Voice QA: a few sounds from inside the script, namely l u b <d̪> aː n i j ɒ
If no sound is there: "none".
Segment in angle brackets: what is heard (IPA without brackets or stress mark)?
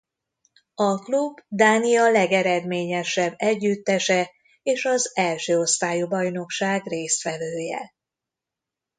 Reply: d̪